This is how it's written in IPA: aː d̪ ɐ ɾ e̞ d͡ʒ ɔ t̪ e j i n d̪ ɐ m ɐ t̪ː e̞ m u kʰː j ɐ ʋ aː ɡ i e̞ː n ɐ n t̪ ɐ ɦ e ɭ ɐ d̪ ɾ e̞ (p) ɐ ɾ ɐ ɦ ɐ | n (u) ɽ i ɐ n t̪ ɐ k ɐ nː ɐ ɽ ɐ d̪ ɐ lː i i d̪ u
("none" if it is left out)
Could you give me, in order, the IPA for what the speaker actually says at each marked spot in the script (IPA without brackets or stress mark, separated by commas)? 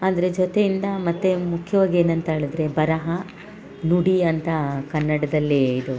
b, u